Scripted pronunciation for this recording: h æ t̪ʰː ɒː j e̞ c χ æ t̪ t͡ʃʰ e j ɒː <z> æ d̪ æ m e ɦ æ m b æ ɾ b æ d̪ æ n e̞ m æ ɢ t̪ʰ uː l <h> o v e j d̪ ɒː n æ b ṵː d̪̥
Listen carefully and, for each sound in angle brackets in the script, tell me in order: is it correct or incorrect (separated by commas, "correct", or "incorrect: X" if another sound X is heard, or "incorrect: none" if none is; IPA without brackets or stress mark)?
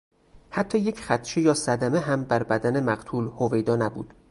incorrect: s, correct